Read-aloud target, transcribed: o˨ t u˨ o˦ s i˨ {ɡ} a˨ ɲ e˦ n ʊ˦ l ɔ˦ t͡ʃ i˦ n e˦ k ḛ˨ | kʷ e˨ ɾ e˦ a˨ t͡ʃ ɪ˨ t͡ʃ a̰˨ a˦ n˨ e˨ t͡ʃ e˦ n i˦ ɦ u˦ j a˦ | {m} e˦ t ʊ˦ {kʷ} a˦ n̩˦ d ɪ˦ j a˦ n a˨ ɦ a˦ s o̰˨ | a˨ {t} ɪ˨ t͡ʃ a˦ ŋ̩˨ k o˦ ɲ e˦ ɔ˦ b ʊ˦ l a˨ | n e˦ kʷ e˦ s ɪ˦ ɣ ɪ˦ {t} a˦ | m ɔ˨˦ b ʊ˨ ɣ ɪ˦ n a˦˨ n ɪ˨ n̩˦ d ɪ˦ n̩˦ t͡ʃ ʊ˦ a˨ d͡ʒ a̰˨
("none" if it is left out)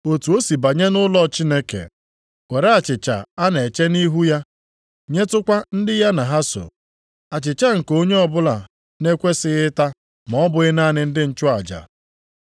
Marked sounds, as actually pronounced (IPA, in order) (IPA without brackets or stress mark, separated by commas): b, ɲ, kʷ, t͡ʃ, t